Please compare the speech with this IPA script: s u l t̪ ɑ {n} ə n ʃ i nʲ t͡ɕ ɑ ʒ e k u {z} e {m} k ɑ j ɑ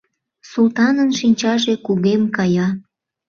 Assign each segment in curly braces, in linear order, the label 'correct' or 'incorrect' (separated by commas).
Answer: correct, incorrect, correct